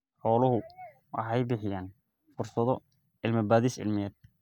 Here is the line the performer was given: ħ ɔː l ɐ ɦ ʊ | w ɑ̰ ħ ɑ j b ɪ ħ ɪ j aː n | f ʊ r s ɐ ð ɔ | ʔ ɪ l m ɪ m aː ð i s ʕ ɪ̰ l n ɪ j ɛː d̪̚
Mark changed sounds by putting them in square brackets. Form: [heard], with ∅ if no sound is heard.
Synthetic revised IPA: ħ ɔː l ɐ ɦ ʊ | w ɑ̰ ħ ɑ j b ɪ ħ ɪ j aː n | f ʊ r s ɐ ð ɔ | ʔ ɪ l m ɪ [b] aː ð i s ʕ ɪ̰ l [m] ɪ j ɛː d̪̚